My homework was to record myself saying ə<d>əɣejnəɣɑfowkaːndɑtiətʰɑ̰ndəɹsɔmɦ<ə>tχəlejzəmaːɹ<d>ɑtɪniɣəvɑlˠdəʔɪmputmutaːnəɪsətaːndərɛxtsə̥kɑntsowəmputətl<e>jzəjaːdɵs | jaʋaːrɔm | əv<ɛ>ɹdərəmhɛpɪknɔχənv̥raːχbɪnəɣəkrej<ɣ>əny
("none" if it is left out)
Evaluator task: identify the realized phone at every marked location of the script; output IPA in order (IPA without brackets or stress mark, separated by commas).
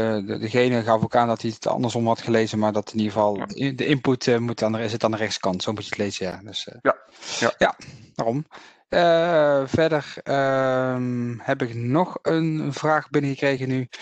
d, ɑ, d, e, ɛ, ɣ